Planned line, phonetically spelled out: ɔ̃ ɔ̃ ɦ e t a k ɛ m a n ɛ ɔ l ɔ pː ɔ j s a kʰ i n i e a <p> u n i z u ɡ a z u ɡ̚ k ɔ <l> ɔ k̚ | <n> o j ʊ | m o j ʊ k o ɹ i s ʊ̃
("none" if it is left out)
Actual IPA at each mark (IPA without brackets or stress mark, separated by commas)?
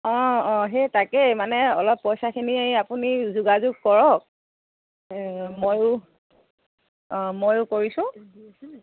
p, ɹ, m